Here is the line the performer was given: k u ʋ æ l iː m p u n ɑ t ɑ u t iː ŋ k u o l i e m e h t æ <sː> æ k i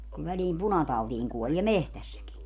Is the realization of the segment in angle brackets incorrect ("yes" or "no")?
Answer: no